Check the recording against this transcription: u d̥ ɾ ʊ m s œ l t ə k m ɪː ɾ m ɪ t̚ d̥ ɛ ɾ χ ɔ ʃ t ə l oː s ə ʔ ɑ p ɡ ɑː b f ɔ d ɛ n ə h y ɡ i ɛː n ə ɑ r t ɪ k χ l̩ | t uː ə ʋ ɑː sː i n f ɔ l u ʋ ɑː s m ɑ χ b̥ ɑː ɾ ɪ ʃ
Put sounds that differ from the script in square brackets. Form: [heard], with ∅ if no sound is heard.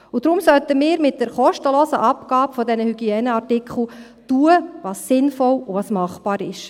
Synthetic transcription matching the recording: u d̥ ɾ ʊ m s œ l t ə [∅] m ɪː ɾ m ɪ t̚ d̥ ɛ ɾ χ ɔ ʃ t ə l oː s ə ʔ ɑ p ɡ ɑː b f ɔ d ɛ n ə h y ɡ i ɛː n ə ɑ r t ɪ k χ l̩ | t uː ə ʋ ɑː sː [ɪ] n f ɔ l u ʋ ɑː s m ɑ χ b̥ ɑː ɾ ɪ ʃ